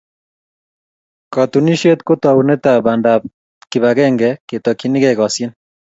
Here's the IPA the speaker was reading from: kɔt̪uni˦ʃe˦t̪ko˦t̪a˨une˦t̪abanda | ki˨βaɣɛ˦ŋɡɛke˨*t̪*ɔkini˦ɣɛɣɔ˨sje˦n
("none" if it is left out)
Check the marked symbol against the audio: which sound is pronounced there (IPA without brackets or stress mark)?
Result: t̪